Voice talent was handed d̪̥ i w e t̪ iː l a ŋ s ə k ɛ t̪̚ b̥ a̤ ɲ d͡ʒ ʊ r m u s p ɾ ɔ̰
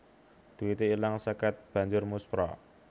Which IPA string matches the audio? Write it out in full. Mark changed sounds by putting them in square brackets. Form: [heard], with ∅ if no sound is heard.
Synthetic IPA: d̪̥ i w [i] t̪ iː l a ŋ s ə k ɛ t̪̚ b̥ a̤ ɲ d͡ʒ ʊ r m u s p ɾ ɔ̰